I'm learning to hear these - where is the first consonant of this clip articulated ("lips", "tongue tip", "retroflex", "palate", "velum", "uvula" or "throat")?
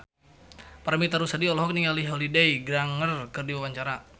lips